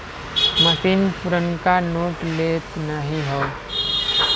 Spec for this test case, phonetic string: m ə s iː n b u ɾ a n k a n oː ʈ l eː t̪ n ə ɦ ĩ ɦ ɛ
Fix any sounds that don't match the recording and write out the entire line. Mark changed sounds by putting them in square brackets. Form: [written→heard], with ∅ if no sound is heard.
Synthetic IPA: m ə s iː n [b→p] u ɾ [a→ə] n k a n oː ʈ l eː t̪ n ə ɦ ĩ ɦ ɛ